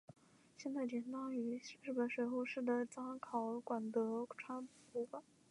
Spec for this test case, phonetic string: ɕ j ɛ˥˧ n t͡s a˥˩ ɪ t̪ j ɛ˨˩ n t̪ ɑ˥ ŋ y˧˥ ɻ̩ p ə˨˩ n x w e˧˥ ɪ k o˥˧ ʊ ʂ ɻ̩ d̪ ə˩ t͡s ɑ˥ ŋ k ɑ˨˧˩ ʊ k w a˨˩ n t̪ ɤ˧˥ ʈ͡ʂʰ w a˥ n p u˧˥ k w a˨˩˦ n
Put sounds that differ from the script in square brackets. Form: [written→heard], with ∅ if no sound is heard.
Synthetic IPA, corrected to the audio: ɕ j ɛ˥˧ n t͡s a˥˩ ɪ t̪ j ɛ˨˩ n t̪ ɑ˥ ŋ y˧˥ ɻ̩ p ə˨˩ n [x→ʂ] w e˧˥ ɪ [k→x] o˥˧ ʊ ʂ ɻ̩ d̪ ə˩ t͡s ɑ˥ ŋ [k→kʰ] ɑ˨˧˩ ʊ k w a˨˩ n t̪ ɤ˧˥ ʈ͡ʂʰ w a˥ n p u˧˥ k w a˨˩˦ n